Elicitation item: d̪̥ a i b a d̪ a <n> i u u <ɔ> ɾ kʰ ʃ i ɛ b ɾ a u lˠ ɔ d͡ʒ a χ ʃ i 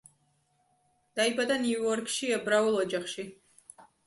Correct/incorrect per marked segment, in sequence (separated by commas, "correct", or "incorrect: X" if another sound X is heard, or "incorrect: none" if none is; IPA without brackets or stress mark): correct, correct